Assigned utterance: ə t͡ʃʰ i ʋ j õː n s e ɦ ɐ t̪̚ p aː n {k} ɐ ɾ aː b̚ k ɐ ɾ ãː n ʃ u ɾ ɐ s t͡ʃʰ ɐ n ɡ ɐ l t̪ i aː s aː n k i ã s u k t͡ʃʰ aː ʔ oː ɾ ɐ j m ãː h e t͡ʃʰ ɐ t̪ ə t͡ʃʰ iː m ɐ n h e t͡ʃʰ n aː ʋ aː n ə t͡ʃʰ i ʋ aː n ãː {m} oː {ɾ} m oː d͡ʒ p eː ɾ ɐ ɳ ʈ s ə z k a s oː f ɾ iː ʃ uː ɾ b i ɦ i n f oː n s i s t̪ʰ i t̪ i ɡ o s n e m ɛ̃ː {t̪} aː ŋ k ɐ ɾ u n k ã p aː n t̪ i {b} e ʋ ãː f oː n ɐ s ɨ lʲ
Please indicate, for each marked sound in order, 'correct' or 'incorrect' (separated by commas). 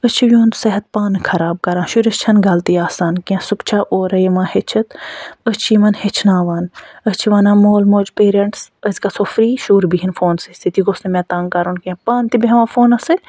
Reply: incorrect, correct, incorrect, correct, correct